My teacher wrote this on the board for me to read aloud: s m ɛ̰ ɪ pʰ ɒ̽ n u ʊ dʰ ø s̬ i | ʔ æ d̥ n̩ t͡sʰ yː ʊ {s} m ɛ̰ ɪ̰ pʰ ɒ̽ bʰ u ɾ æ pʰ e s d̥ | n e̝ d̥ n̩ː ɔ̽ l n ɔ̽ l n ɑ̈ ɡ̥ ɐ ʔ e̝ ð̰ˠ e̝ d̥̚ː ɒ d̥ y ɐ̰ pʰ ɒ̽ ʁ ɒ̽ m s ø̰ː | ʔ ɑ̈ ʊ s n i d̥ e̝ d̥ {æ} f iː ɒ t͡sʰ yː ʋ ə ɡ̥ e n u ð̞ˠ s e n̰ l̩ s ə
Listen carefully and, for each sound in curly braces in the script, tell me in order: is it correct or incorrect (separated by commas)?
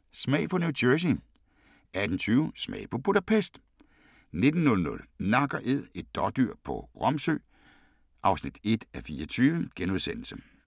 correct, correct